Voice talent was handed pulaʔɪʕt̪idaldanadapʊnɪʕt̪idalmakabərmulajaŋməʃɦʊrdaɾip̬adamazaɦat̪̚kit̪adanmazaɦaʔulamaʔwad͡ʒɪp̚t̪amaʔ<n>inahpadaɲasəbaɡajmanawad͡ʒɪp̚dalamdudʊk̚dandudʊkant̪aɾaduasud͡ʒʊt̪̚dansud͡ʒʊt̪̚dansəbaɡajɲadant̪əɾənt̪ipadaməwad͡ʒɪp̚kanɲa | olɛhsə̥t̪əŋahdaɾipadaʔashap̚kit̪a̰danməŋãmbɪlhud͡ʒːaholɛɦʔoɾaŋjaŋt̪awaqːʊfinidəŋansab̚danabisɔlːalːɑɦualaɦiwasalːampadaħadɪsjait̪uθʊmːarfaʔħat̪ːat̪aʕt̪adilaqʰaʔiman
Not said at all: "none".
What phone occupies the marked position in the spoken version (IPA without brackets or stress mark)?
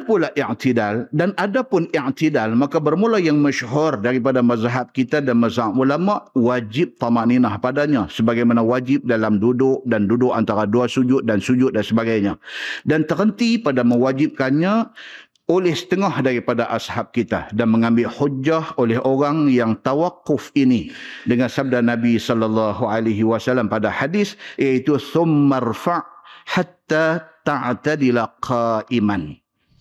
n